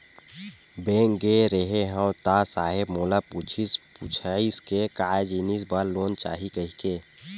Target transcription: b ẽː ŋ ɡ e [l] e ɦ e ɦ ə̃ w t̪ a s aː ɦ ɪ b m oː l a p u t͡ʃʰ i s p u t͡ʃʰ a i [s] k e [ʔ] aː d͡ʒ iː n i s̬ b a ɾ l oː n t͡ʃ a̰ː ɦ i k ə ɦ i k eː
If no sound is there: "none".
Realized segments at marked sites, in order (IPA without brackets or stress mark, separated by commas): ɾ, s, k